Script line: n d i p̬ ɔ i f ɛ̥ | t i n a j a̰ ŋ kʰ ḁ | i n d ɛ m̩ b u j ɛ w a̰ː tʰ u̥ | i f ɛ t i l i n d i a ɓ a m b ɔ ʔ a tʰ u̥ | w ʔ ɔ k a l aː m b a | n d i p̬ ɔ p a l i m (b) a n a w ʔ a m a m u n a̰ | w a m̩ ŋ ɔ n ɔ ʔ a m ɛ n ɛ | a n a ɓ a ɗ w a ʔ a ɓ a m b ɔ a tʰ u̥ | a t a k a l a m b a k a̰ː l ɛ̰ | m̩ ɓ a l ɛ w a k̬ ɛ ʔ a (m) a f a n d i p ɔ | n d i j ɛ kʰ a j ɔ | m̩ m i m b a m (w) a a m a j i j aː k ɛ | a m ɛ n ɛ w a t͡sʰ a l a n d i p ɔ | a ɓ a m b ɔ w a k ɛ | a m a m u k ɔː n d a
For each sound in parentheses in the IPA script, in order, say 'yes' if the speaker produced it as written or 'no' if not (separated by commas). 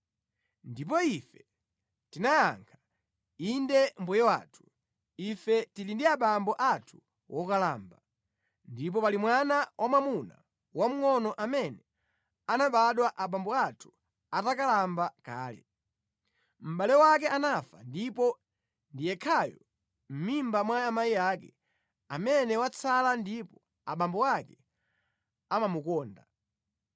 no, no, yes